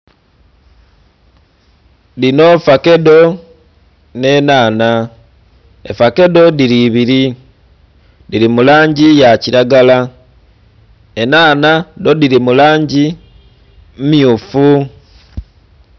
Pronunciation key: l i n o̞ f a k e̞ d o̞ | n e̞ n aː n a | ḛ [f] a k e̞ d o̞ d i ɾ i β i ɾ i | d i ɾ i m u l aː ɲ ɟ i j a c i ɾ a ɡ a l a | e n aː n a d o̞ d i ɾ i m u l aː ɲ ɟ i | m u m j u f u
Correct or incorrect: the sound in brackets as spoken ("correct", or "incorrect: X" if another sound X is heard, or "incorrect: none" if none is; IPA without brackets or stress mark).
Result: correct